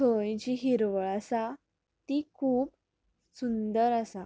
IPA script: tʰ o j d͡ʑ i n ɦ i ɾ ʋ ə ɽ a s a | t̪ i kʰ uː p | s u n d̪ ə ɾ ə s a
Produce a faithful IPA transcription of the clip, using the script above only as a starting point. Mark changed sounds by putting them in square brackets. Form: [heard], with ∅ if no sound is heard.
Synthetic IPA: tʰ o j d͡ʑ i [∅] ɦ i ɾ ʋ ə [ɭ] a s a | t̪ i kʰ uː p | s u n d̪ ə ɾ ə s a